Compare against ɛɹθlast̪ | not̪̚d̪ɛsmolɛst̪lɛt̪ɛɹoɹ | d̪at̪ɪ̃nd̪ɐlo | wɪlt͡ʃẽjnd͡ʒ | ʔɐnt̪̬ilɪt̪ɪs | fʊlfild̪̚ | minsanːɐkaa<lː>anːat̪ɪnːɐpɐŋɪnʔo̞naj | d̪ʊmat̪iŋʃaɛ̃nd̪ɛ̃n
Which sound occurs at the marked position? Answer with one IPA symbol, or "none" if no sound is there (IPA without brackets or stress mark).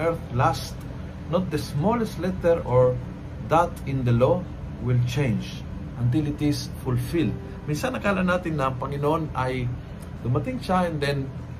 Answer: l